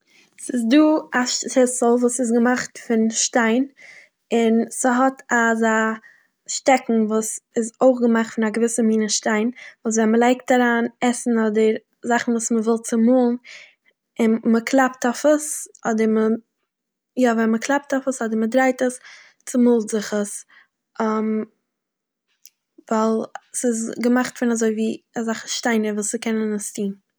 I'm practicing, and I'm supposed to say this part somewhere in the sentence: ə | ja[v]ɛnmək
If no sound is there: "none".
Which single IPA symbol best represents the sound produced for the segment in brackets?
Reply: v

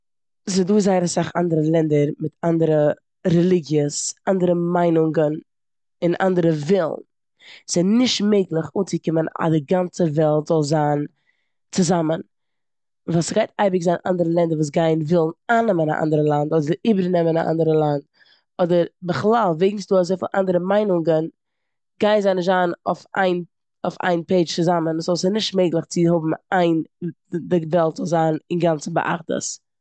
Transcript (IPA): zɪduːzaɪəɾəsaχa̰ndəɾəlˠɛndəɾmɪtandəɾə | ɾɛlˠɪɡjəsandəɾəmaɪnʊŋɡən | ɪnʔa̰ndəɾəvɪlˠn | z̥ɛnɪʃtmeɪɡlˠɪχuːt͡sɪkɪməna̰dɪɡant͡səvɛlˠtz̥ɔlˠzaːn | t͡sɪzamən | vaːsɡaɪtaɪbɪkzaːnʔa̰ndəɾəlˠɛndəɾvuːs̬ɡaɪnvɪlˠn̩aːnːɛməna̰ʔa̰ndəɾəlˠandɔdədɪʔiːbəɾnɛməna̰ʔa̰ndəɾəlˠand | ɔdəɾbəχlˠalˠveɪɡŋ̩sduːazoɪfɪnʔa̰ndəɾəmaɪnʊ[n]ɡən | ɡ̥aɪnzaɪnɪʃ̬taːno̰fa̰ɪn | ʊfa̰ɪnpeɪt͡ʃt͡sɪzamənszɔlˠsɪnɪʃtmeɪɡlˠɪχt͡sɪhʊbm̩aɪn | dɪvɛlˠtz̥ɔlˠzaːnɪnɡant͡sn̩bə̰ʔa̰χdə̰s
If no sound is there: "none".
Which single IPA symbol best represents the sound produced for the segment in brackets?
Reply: ŋ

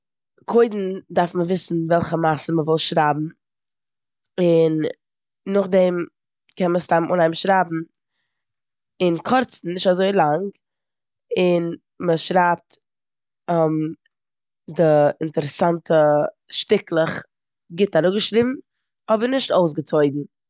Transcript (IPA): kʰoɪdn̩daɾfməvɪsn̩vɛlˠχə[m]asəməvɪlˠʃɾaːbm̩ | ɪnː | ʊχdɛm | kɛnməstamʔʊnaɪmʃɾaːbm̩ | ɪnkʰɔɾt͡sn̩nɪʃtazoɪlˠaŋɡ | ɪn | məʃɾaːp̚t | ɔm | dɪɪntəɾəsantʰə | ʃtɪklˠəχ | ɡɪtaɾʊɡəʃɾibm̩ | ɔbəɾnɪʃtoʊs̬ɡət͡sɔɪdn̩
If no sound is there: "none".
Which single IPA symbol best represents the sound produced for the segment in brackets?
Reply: m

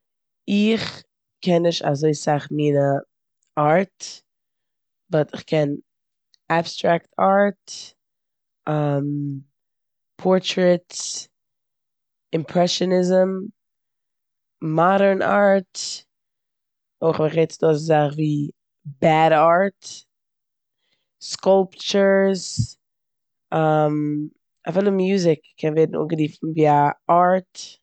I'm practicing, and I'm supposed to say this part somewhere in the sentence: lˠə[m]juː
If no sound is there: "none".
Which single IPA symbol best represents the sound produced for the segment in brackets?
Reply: m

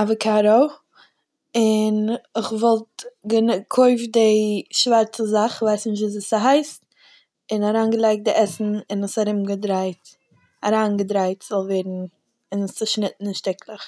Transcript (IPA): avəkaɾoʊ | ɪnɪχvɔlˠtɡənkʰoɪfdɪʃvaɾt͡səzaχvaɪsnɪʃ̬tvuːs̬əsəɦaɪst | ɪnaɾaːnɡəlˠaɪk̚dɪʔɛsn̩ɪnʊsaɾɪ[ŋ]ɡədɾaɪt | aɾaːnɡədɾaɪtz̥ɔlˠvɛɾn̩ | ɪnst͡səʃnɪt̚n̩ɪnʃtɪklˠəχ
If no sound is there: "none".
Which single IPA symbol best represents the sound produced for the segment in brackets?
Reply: m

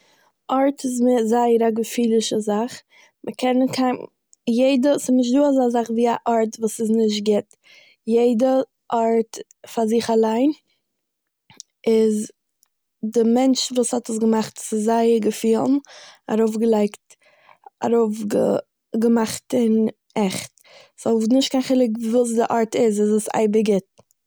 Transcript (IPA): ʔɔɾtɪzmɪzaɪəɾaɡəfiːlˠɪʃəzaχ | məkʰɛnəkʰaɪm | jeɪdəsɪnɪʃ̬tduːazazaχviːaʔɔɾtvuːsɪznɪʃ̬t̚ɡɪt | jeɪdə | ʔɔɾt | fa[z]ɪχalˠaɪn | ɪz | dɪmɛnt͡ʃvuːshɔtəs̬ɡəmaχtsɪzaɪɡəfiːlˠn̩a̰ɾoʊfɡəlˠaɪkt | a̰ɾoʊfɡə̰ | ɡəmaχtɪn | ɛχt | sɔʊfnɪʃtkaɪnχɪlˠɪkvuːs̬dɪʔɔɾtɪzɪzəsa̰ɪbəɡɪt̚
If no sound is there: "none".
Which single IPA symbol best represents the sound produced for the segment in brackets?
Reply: z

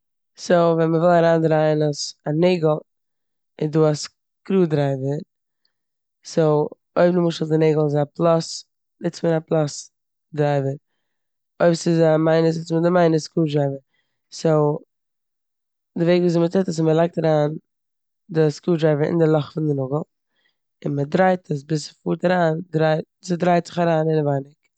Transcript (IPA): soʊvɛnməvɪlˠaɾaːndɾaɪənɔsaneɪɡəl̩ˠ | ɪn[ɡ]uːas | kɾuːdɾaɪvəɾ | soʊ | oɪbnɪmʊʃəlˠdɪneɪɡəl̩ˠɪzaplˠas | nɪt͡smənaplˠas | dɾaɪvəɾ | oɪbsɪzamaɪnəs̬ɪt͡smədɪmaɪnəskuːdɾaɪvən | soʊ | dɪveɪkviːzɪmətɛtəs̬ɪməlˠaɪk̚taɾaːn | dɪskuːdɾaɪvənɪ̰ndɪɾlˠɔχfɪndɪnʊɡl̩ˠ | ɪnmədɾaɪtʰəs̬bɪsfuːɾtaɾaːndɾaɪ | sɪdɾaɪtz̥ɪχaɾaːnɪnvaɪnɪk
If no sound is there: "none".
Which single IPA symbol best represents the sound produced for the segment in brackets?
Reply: d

